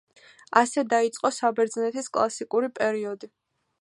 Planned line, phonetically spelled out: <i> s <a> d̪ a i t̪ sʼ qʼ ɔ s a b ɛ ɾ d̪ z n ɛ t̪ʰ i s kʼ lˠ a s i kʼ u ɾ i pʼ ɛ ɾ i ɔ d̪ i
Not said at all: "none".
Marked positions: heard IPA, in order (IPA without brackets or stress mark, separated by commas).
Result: a, ɛ